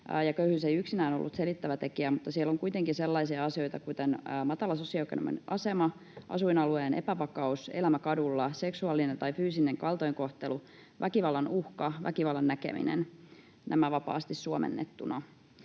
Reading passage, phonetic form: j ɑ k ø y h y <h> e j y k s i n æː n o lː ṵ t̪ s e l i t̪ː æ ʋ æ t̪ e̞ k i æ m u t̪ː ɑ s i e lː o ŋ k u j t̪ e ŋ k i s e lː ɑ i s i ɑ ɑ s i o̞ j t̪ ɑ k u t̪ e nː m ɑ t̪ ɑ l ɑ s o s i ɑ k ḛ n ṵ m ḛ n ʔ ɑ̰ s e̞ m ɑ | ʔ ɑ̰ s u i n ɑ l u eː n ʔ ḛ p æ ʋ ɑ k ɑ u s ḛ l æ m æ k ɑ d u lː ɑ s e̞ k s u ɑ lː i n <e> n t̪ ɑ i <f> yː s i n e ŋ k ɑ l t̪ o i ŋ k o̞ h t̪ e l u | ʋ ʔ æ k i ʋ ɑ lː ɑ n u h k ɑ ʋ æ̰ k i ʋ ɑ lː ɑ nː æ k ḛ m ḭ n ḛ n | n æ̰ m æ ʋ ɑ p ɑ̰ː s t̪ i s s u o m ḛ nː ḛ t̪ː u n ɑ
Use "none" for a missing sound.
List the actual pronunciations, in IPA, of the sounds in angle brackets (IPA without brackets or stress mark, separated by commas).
s, e, f